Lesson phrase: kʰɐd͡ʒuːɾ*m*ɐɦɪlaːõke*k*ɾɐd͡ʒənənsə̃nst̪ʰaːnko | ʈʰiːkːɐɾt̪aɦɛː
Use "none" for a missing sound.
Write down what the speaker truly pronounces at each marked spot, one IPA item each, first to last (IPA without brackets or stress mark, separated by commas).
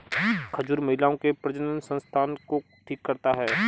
m, p